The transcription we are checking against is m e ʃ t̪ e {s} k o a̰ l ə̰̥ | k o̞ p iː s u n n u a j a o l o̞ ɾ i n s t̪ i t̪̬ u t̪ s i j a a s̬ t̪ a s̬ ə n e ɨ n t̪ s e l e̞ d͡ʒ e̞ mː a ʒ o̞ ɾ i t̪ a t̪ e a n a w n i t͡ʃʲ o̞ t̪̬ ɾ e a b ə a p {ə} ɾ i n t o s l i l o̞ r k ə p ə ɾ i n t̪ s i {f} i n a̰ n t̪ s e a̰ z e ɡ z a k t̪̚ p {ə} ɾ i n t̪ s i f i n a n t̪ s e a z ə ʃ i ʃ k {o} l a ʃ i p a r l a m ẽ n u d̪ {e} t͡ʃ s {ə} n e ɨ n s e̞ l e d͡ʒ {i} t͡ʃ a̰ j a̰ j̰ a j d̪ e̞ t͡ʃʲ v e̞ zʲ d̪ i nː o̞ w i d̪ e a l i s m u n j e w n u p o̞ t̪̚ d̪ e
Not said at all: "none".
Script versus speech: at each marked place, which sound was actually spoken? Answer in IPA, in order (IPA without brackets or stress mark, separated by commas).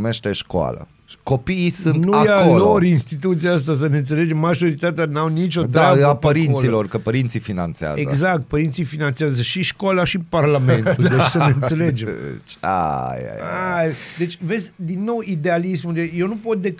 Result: ʃ, ə, f, ə, o, e, ə, e